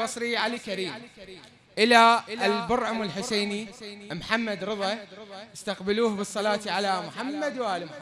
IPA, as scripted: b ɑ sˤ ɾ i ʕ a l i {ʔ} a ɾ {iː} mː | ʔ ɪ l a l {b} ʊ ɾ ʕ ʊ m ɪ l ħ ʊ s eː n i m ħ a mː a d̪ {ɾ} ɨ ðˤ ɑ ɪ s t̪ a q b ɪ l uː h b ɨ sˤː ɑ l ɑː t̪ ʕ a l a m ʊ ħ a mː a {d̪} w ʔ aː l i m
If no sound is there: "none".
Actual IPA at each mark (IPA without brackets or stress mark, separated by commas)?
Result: k, iː, b, ɾ, d̪